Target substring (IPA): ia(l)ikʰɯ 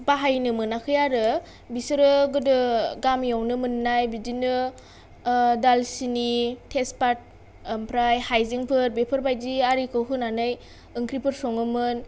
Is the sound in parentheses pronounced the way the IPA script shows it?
no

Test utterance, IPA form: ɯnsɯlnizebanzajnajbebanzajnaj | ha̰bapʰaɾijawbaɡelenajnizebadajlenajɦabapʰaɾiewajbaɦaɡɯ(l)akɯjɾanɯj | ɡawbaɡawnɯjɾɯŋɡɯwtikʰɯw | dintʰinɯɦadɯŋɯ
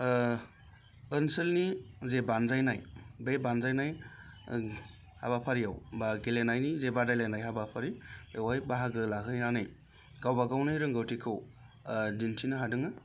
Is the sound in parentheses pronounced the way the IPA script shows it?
yes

